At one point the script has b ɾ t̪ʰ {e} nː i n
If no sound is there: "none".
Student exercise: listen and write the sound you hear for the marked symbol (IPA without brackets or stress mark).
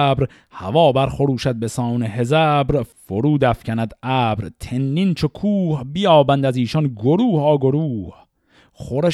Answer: e